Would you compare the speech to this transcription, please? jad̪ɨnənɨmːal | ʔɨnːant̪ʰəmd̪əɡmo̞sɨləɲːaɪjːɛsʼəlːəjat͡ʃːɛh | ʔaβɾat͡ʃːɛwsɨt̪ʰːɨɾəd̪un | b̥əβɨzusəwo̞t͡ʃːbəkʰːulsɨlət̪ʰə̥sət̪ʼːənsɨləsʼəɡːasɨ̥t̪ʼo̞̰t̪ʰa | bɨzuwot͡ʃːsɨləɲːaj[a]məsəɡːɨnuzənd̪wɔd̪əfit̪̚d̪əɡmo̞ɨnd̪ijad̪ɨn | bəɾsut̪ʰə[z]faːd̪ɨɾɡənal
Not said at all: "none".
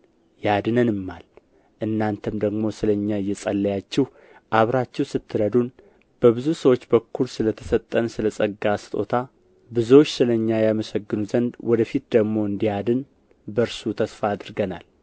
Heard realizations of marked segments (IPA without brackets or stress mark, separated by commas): a, s